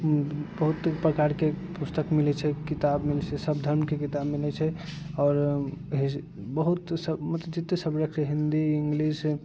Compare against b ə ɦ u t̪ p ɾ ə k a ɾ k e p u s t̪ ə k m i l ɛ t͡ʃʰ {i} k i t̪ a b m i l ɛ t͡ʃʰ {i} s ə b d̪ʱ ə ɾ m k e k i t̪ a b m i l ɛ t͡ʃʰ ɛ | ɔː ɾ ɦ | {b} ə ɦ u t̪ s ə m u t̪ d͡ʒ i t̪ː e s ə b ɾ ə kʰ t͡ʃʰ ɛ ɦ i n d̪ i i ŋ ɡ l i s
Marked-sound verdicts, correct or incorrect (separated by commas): incorrect, incorrect, correct